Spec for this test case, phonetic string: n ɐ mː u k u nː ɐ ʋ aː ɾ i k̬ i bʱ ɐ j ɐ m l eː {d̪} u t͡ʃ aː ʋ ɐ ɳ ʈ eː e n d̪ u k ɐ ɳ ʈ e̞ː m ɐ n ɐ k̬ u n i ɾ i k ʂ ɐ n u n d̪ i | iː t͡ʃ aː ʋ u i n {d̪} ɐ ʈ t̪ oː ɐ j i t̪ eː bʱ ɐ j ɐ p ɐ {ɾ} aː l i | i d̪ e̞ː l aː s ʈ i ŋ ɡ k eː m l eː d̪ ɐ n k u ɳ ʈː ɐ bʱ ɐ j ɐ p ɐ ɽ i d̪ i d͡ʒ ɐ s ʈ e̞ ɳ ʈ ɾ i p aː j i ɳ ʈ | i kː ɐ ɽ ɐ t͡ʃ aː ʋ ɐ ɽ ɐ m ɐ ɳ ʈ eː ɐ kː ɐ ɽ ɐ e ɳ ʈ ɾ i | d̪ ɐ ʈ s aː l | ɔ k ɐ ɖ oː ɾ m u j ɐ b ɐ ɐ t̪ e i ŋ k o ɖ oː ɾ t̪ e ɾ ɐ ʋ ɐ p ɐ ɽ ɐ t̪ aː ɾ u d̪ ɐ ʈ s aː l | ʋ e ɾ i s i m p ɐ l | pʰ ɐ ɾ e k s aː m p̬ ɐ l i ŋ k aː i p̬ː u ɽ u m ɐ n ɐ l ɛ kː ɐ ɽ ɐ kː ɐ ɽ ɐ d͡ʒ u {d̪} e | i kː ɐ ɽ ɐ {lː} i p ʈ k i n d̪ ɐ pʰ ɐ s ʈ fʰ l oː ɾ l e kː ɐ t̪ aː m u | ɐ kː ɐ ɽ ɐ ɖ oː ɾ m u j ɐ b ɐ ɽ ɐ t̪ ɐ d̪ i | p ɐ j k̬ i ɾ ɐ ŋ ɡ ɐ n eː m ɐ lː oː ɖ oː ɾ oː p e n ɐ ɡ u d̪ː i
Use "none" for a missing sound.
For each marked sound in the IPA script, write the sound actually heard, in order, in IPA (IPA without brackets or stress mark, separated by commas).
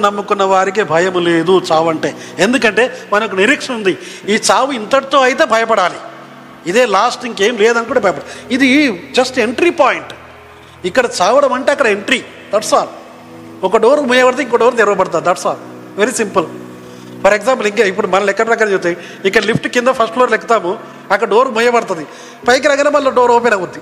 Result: d̪, t̪, ɽ, t̪, l